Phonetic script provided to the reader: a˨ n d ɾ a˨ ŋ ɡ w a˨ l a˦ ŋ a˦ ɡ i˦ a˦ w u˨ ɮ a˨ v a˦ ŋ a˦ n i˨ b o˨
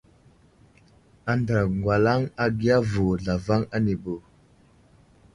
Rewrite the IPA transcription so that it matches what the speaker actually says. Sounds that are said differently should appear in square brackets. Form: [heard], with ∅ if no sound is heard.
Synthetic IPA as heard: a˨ n d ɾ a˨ ŋ ɡ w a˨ l a˦ ŋ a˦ ɡ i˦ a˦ [v] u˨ ɮ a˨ v a˦ ŋ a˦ n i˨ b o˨